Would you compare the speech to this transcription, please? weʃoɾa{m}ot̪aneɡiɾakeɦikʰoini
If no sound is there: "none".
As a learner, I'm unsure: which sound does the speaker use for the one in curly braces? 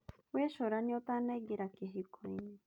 ɲ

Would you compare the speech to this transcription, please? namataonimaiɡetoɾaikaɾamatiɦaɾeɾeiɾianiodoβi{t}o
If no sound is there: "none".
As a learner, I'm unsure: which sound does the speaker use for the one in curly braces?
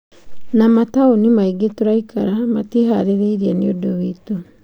t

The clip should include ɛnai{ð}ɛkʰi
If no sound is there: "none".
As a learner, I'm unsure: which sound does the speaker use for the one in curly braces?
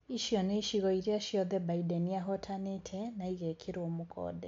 ɣ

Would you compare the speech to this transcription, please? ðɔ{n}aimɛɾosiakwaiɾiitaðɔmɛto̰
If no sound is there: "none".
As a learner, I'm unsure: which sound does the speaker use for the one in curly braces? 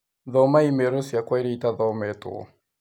m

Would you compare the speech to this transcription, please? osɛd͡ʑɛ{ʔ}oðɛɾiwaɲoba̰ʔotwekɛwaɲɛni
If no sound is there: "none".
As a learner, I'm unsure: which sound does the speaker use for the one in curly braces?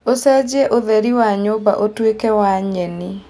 ʔ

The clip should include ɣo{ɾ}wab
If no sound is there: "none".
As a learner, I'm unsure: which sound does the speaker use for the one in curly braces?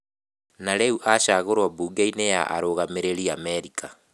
ɾ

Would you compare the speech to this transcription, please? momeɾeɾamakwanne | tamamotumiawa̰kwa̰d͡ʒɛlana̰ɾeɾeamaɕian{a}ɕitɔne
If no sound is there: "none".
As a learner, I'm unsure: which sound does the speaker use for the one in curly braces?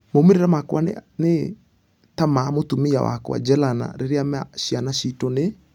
a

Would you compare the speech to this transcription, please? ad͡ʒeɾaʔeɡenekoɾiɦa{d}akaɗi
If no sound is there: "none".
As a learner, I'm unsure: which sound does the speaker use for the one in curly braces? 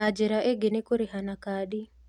n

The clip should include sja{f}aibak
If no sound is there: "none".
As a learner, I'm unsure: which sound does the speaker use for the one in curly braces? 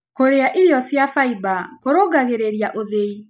f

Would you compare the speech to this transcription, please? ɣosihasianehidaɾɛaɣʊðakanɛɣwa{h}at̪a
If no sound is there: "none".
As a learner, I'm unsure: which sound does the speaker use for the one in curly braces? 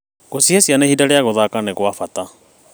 f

